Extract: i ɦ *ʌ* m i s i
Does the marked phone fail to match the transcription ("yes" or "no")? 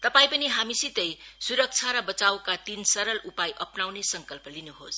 yes